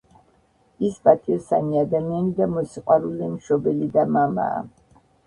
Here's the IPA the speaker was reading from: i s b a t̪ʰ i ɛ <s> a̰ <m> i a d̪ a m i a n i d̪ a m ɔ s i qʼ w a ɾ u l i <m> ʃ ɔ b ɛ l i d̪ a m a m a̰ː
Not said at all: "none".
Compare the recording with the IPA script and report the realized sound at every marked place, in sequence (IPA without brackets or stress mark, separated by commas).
s, n, m